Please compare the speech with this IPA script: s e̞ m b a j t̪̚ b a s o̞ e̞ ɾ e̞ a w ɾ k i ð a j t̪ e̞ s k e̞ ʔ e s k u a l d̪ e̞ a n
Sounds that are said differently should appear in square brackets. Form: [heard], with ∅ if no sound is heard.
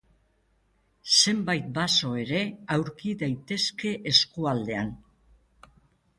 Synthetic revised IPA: s e̞ m b a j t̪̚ b a s o̞ e̞ ɾ e̞ a w ɾ k i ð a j t̪ e̞ s k e̞ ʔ e s k u a l d̪ e̞ a n